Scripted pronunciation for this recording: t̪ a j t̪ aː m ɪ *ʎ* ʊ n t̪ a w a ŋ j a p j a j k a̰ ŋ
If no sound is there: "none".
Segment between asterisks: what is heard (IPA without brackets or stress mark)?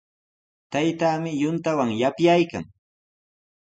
j